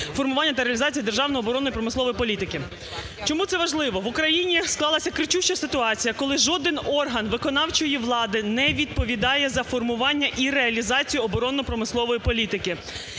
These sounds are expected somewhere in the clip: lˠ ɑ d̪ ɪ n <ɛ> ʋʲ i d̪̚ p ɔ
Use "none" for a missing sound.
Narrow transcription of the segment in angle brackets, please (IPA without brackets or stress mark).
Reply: ɛ